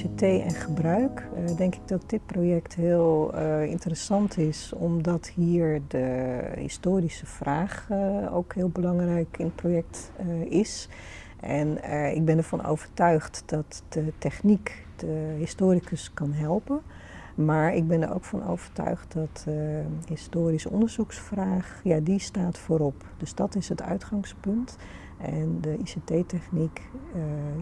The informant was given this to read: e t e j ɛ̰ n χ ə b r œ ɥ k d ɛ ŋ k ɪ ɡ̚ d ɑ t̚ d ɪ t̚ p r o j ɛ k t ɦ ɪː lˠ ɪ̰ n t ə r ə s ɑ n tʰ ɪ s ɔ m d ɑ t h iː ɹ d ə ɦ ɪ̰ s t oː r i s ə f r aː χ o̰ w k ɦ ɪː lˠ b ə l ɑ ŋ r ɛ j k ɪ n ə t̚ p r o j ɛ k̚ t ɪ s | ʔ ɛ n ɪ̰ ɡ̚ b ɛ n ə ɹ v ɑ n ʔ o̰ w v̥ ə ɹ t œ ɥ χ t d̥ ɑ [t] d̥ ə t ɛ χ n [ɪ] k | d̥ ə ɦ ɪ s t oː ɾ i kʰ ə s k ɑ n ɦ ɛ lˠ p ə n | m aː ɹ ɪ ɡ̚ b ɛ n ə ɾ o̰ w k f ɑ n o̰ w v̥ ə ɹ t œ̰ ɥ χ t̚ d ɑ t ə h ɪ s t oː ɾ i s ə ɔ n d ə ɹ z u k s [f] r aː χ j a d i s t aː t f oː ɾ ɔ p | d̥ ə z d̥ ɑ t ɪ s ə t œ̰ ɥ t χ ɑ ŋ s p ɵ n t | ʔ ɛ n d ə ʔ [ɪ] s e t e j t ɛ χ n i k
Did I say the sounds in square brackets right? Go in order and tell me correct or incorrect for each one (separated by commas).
correct, incorrect, correct, incorrect